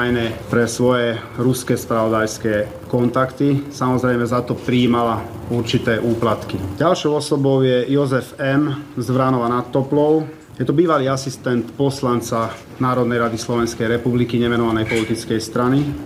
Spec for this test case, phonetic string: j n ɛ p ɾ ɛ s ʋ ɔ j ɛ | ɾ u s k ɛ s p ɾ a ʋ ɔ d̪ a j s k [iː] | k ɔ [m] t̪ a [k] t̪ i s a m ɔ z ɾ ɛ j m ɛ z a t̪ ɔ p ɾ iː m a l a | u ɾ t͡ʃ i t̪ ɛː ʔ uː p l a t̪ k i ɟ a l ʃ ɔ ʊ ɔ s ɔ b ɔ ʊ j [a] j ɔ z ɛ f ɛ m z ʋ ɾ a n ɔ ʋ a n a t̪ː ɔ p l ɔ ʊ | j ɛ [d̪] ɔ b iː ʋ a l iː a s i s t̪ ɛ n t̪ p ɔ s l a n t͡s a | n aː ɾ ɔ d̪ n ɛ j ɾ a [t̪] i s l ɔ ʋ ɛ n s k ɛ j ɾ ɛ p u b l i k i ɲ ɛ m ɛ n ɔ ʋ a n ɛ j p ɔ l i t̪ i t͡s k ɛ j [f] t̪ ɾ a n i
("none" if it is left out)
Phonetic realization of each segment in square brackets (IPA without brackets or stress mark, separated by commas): ɛː, n, k, ɛ, t̪, d̪, s